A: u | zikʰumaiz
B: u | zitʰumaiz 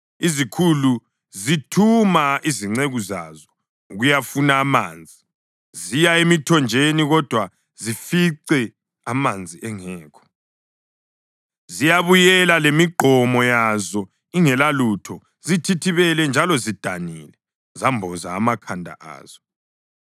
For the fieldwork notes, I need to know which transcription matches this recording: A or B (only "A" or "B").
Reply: B